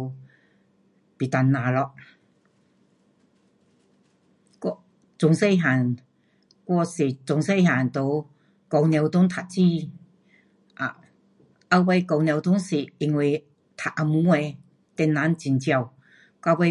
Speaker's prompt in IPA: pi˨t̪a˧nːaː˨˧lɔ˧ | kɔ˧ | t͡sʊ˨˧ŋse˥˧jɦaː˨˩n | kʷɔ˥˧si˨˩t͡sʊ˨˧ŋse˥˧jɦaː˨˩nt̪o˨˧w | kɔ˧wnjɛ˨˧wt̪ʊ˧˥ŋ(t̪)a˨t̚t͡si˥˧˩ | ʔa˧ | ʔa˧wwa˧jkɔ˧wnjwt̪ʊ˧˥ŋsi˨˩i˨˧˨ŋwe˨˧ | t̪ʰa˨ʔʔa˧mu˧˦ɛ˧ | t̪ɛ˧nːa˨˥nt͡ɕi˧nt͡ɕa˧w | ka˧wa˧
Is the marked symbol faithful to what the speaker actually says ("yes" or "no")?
no